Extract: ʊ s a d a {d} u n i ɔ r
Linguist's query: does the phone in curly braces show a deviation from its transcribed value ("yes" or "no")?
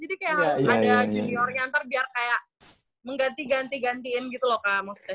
yes